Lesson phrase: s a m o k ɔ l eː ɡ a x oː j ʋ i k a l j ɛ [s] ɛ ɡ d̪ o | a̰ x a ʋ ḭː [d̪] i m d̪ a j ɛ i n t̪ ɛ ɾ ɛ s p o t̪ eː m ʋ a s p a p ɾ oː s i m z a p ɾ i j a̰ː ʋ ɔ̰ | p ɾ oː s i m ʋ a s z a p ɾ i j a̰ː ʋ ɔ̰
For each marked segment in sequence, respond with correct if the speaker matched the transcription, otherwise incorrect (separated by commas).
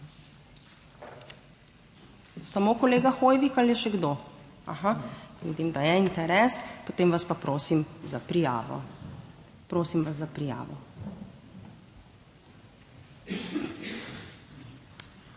incorrect, correct